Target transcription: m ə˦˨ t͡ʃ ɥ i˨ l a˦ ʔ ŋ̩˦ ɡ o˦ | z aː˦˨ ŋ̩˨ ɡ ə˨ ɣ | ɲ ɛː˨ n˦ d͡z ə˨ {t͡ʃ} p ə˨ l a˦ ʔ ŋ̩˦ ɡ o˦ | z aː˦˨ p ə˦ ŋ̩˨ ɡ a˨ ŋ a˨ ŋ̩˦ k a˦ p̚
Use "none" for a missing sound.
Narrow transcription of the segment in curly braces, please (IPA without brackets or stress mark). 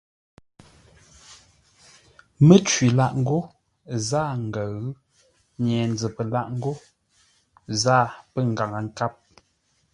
none